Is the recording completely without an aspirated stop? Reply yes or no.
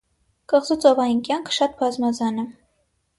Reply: no